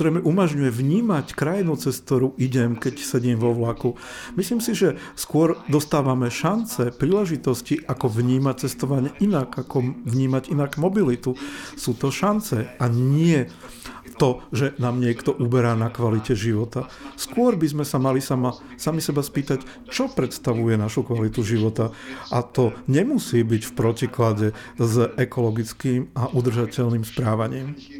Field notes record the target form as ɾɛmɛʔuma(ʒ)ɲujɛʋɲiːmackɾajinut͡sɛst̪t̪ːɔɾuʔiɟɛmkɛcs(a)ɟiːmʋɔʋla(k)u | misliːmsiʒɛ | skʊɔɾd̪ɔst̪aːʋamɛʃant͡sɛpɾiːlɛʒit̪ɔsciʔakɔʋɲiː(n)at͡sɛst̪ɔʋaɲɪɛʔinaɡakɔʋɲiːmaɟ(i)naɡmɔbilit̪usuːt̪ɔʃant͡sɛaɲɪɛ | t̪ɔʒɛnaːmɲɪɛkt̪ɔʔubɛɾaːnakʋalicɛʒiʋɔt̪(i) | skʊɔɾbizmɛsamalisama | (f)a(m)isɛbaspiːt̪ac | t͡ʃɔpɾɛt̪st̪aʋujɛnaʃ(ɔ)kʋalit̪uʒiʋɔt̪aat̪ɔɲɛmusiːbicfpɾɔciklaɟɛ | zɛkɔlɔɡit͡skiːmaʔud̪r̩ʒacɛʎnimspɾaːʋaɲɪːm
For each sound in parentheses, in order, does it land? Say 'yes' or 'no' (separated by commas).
yes, no, yes, no, yes, no, no, yes, no